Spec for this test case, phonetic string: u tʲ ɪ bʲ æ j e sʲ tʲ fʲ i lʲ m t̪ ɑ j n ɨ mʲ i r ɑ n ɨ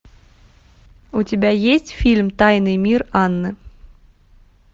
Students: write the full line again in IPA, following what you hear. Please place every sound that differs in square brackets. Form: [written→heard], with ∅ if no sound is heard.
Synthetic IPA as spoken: u tʲ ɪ bʲ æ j e sʲ tʲ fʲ i lʲ m t̪ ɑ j n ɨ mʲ i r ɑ [n→nː] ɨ